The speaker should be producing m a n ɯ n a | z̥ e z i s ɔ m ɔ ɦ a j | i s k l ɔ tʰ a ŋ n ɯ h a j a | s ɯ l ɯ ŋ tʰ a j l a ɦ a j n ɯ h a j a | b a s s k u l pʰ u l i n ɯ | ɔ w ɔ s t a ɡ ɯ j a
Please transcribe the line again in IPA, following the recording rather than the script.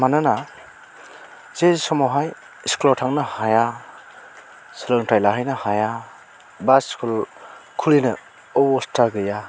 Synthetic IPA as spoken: m a n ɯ n a | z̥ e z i s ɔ m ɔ ɦ a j | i s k l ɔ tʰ a ŋ n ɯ h a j a | s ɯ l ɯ ŋ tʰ a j l a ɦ a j n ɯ h a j a | b a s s k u l kʰ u l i n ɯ | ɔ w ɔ s t a ɡ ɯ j a